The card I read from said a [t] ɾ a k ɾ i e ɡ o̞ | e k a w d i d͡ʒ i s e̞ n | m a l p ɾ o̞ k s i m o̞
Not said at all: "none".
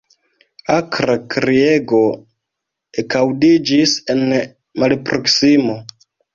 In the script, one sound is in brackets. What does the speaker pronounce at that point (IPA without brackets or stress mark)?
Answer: k